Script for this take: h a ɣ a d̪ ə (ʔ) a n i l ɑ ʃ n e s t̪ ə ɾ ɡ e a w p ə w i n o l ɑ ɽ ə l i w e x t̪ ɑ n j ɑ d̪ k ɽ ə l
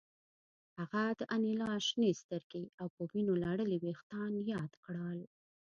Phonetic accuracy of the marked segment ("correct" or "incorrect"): correct